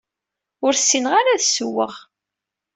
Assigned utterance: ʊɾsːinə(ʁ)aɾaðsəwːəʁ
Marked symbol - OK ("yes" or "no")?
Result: yes